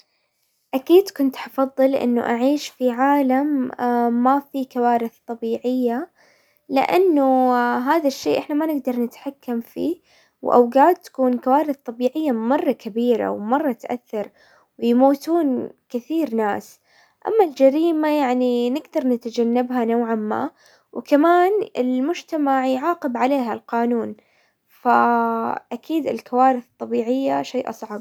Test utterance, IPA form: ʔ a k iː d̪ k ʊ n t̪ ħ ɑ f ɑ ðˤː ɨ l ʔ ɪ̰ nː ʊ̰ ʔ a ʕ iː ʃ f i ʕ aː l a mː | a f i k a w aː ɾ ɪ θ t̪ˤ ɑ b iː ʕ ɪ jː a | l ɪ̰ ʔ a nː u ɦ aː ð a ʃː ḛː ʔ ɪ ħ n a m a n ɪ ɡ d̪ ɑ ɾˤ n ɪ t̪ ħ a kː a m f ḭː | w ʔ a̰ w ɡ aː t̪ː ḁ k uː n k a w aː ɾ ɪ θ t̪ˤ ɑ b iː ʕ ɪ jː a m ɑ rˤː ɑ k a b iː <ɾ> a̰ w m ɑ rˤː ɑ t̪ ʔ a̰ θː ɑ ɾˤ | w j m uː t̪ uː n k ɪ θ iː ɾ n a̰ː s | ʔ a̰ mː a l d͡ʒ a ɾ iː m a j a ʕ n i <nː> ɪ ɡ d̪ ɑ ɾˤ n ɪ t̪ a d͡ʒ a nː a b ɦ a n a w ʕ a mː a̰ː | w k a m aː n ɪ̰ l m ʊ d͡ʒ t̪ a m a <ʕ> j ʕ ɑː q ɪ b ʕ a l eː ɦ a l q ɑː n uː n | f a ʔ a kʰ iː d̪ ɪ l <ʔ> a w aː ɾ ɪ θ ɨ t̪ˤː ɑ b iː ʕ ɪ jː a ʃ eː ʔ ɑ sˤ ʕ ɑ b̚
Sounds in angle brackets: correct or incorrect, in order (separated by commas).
correct, incorrect, correct, incorrect